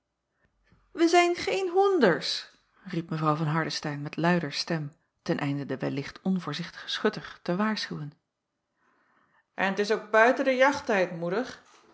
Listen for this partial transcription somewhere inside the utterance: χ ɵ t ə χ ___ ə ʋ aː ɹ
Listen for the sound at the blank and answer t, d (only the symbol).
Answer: t